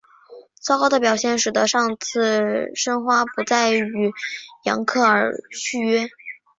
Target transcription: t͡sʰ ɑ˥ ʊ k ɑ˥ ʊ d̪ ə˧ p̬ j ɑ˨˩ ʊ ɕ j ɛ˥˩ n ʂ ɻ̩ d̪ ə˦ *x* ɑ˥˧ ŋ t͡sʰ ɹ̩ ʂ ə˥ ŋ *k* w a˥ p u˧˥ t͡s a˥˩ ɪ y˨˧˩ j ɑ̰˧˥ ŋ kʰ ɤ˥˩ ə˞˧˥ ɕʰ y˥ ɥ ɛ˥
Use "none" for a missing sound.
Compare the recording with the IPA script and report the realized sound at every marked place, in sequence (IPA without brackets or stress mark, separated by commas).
ʂ, x